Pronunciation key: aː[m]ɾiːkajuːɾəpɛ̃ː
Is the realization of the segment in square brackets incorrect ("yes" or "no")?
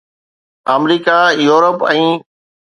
no